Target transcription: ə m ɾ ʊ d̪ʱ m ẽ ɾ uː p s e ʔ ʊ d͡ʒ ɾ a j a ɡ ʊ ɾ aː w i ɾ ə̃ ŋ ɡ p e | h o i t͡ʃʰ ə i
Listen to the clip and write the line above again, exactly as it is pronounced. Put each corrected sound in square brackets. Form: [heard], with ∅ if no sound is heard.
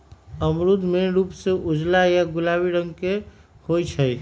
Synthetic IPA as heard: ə m ɾ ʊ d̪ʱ m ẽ ɾ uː p s e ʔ ʊ d͡ʒ [l] a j a ɡ ʊ [l] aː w i ɾ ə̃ ŋ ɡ [k] e | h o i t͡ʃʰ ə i